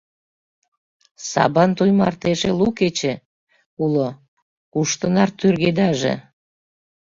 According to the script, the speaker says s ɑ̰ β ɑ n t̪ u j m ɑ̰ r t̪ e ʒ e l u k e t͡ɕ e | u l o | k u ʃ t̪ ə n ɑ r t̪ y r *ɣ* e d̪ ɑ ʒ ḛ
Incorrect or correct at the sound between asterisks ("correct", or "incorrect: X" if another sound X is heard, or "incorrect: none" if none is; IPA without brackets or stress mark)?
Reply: correct